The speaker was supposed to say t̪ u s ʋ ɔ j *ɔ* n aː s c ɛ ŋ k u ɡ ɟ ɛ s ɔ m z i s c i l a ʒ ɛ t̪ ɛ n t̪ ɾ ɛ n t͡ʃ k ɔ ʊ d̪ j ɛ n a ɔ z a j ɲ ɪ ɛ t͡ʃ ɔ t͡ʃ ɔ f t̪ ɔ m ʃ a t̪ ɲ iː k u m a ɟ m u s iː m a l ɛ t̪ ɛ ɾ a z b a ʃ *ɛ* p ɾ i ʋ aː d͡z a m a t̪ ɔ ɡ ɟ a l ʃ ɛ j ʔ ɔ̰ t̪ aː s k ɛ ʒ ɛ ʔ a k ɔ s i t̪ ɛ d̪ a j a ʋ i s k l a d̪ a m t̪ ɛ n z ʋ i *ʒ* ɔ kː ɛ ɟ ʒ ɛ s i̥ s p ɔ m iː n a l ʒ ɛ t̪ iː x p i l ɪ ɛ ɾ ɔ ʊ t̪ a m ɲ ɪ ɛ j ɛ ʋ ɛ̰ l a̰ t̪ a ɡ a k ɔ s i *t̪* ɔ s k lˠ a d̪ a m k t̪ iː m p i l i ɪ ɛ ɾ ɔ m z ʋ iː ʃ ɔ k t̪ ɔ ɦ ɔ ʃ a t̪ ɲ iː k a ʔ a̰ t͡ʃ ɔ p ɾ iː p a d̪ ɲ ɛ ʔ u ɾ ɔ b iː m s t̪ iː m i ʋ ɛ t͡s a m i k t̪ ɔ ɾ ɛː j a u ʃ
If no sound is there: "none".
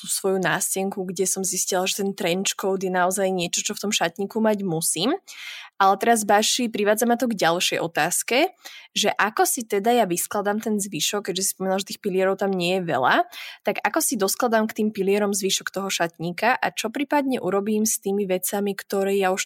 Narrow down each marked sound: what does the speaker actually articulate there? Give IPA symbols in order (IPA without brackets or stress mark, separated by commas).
u, i, ʃ, d̪